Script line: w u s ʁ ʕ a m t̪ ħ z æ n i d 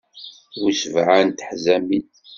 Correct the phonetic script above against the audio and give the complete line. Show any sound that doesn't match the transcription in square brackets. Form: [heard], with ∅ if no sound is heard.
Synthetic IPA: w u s [v] ʕ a [n] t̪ ħ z æ [m] i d